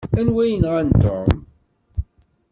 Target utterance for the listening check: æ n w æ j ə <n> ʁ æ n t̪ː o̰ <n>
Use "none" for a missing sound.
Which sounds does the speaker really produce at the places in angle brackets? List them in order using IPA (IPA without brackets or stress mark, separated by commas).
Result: n, m